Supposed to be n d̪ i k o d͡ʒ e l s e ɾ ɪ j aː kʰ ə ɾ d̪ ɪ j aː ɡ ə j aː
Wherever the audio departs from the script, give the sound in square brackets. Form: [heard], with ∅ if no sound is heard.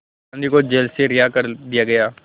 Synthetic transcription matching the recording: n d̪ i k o d͡ʒ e l s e ɾ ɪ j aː [k] ə ɾ d̪ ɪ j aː ɡ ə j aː